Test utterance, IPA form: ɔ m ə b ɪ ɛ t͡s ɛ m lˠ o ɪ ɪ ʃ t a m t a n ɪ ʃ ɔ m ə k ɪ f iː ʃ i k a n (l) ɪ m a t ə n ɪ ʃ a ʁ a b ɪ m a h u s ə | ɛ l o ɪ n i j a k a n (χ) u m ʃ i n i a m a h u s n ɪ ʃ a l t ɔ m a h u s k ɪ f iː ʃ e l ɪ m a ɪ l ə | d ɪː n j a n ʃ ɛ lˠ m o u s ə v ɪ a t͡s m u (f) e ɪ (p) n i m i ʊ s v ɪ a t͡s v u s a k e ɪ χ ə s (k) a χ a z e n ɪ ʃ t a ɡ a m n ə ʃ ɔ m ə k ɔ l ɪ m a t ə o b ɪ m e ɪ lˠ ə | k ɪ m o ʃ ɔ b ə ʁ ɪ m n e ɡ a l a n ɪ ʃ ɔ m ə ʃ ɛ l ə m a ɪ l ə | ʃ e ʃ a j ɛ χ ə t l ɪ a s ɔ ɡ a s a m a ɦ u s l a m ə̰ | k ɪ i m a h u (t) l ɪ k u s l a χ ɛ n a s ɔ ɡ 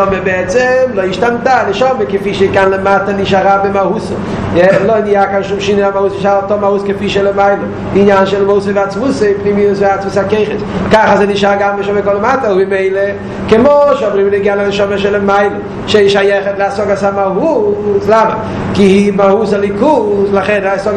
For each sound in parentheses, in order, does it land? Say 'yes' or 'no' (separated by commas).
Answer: yes, no, no, yes, yes, no